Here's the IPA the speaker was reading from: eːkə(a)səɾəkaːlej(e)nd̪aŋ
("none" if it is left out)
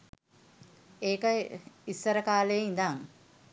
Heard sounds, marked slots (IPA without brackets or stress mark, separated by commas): i, i